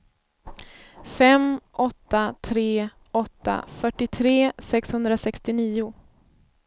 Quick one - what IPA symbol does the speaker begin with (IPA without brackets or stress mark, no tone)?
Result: f